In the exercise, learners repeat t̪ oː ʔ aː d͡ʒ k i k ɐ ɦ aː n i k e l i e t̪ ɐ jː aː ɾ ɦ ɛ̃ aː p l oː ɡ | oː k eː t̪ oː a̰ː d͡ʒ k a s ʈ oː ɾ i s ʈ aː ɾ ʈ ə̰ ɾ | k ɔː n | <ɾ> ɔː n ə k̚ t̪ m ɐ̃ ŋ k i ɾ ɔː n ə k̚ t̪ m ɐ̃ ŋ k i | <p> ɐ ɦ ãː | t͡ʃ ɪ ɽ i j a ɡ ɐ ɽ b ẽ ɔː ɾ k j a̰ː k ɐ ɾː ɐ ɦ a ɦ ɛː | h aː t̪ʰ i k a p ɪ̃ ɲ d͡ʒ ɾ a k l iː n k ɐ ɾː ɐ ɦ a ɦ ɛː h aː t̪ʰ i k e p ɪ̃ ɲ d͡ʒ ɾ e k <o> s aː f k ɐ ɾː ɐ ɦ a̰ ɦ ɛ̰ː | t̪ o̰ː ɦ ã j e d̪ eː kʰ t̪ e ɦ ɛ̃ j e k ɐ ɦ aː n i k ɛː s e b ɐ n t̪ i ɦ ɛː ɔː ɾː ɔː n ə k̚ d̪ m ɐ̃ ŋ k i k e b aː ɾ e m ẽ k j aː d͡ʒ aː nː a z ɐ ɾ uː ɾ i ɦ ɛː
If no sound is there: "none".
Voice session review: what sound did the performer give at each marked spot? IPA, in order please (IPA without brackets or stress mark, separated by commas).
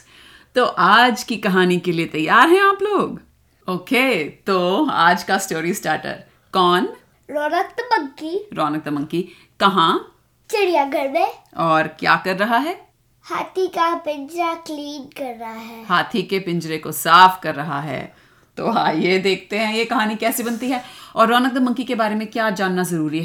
ɾ, k, o